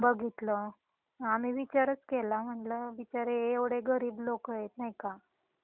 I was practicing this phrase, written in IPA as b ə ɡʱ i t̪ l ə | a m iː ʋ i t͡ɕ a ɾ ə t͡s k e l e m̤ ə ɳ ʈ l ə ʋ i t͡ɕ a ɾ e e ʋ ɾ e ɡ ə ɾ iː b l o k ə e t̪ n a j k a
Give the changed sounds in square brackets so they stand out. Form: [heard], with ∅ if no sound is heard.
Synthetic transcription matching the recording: b ə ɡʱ i t̪ l ə | a m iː ʋ i t͡ɕ a ɾ ə t͡s k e l [a] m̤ ə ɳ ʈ l ə ʋ i t͡ɕ a ɾ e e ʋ [ɽ] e ɡ ə ɾ iː b l o k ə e t̪ n a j k a